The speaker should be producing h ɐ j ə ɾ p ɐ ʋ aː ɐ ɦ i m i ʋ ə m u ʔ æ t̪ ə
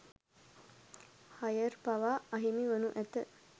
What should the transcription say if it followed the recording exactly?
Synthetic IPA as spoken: h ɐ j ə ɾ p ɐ ʋ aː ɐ ɦ i m i ʋ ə n u ʔ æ t̪ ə